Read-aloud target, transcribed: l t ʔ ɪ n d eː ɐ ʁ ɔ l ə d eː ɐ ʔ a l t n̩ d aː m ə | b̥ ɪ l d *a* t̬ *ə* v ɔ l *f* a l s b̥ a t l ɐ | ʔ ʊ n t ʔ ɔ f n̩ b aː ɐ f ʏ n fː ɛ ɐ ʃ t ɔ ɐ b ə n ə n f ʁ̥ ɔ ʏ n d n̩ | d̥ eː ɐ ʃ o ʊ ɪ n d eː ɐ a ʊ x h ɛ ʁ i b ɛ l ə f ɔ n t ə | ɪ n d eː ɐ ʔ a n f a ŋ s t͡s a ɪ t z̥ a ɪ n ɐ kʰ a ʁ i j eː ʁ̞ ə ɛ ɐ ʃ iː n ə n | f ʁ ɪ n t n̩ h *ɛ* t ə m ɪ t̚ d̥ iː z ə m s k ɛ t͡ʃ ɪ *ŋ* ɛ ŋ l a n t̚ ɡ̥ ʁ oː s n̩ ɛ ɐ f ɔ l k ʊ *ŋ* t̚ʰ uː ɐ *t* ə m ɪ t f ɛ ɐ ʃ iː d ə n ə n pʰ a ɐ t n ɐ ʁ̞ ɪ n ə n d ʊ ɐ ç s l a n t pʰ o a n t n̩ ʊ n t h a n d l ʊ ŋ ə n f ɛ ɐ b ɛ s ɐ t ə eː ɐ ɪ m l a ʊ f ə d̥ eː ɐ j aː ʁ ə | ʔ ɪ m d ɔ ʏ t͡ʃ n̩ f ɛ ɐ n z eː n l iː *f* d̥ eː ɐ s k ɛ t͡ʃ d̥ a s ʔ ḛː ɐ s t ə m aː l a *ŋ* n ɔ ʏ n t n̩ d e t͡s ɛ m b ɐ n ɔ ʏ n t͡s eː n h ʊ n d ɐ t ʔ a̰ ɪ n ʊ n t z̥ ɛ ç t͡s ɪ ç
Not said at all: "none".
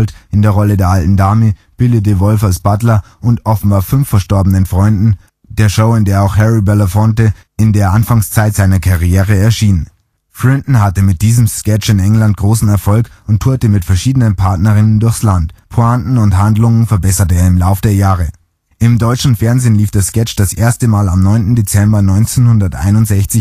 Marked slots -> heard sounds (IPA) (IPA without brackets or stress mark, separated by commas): ə, ə, f, a, n, n, t, f, m